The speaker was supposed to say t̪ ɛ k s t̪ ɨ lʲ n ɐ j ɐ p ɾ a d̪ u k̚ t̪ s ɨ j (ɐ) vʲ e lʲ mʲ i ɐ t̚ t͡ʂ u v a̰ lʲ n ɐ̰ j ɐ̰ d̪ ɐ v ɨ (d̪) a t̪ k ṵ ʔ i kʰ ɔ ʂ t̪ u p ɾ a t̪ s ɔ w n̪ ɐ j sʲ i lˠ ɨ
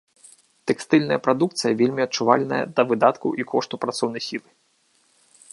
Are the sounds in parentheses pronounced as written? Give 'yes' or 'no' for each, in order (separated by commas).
yes, yes